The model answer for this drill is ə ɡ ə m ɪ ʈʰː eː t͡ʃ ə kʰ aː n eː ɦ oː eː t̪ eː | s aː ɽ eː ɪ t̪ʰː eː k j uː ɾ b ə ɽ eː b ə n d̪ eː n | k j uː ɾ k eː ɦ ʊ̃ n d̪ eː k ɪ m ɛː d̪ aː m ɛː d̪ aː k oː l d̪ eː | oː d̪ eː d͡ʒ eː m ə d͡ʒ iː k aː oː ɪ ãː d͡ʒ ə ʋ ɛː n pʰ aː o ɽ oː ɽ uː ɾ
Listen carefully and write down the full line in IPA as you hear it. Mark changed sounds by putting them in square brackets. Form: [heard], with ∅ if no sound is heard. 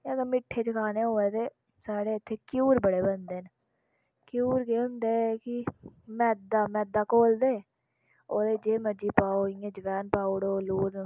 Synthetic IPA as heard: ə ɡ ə m ɪ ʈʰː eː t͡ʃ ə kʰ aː n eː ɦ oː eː t̪ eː | s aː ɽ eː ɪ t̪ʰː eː k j uː ɾ b ə ɽ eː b ə n d̪ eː n | k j uː ɾ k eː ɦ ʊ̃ n d̪ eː k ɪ m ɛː d̪ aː m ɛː d̪ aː k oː l d̪ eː | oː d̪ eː d͡ʒ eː m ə d͡ʒ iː [p] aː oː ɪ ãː d͡ʒ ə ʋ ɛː n [p] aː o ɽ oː [l] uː ɾ